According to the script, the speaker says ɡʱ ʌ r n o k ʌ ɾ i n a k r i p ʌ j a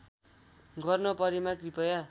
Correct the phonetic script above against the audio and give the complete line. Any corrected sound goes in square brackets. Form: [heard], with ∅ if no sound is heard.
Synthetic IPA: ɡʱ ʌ r n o [p] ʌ ɾ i [m] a k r i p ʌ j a